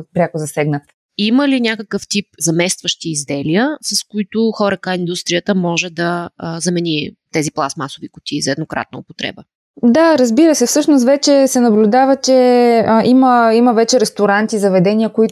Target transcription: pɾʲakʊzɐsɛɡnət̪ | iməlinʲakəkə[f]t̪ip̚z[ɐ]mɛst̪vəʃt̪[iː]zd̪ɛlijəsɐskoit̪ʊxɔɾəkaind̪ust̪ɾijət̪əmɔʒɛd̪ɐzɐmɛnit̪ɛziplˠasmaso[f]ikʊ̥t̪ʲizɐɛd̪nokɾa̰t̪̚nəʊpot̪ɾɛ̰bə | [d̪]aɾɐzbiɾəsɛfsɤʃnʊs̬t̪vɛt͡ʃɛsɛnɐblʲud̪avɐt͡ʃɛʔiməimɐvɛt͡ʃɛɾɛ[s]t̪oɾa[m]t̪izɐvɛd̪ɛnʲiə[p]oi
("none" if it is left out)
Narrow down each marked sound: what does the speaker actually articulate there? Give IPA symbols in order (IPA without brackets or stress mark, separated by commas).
f, ɐ, iː, v, d̪, s, n, k